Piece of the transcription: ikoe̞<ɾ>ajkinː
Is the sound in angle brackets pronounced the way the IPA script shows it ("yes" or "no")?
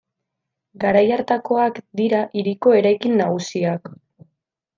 yes